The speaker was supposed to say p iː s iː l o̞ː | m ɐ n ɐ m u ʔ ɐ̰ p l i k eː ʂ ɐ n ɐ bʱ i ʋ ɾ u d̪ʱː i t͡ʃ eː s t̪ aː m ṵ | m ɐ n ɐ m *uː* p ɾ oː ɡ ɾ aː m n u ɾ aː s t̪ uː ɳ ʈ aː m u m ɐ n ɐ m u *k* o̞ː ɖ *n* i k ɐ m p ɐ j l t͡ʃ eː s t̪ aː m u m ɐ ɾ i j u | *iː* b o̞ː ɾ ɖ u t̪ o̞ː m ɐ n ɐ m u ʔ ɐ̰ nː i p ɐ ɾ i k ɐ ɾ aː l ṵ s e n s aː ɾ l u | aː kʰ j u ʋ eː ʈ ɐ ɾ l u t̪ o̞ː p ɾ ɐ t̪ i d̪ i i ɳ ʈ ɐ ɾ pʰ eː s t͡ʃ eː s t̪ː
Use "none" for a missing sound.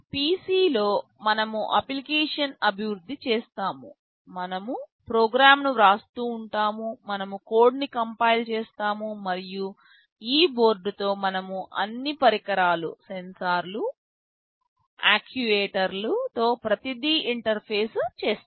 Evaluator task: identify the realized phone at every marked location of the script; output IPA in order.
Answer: u, k, n, iː

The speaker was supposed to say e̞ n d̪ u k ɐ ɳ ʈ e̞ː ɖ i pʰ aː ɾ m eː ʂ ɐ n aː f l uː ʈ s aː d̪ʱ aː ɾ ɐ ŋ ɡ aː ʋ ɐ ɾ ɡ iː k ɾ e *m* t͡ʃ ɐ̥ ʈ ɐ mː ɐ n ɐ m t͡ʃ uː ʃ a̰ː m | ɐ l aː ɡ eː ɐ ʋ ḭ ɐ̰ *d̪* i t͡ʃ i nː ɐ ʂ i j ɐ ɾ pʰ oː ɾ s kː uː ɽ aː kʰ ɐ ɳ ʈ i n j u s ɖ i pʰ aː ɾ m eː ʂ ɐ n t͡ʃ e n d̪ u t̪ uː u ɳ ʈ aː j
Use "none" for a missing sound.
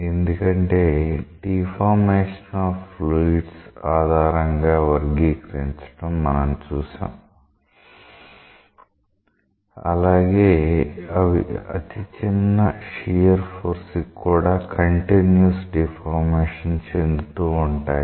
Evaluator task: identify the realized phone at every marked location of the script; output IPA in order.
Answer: ɲ, t̪

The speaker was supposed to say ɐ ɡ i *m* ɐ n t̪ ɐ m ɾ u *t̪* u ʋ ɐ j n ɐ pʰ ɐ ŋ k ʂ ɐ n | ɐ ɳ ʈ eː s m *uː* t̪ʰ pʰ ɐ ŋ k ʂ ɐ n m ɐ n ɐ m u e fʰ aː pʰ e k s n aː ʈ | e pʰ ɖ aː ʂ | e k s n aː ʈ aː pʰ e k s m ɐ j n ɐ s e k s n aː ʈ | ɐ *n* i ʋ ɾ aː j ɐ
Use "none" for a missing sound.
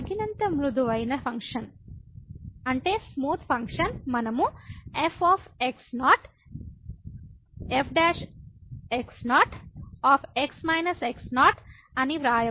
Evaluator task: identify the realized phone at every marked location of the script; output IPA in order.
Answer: n, d̪, uː, n

